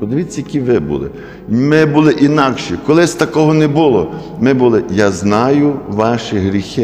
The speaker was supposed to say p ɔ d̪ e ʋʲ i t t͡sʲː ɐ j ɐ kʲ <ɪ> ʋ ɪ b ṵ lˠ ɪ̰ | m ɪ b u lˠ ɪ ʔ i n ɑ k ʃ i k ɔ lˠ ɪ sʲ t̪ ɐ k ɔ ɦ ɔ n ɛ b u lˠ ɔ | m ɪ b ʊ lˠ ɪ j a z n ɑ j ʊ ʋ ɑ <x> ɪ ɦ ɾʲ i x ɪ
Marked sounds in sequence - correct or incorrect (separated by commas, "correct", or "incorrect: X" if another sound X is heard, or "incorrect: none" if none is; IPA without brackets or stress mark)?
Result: incorrect: i, incorrect: ʃ